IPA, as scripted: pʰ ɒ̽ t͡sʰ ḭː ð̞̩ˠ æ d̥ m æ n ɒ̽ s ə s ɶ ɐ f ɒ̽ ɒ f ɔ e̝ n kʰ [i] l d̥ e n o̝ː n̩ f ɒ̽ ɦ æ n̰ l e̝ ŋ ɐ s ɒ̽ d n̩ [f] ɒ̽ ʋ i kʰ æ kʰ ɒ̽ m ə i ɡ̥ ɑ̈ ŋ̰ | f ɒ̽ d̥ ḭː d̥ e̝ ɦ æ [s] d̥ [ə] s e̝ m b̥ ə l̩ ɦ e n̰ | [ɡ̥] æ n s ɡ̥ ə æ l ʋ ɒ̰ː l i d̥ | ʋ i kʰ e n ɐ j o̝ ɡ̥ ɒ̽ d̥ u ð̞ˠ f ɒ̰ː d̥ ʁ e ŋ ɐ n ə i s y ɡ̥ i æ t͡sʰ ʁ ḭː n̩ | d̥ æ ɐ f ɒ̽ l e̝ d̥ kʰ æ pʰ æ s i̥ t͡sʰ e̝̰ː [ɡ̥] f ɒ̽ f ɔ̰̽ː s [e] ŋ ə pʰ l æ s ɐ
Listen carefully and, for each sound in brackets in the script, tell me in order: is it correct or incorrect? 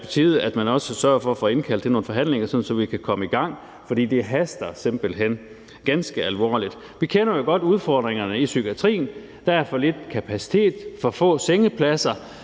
incorrect: æ, incorrect: s, correct, incorrect: ɐ, correct, incorrect: d̥, correct

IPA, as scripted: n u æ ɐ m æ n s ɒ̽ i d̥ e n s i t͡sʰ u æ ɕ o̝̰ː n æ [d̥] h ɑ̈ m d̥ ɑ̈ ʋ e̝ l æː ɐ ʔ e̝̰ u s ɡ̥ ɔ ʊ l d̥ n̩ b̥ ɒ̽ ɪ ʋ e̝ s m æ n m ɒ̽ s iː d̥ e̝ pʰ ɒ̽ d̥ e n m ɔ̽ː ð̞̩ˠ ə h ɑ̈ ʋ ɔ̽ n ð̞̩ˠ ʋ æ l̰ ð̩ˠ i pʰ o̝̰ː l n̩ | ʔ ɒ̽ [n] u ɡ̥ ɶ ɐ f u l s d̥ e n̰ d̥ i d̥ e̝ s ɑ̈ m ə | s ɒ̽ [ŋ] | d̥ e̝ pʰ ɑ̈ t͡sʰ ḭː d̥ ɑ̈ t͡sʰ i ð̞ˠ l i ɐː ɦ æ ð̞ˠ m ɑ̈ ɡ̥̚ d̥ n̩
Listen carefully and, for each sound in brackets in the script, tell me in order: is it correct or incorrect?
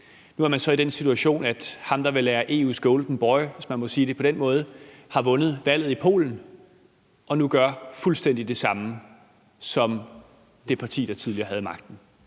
correct, correct, incorrect: m

